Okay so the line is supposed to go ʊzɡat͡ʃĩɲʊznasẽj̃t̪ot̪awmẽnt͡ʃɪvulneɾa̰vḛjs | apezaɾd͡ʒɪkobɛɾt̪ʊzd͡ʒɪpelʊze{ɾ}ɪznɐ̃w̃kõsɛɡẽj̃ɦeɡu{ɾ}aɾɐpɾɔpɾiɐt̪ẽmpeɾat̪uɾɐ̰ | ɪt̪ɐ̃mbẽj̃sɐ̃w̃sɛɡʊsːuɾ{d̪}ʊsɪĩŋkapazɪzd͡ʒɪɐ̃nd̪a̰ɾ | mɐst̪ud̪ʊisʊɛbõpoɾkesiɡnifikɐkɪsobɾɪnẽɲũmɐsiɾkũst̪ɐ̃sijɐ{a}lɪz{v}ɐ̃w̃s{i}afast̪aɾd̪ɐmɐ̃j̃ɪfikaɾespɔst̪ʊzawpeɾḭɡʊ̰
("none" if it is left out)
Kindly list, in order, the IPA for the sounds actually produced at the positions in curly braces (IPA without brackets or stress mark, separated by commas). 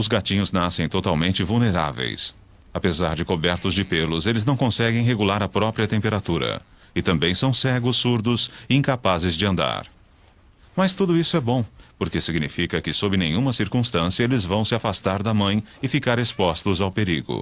l, l, d̪, e, v, ɪ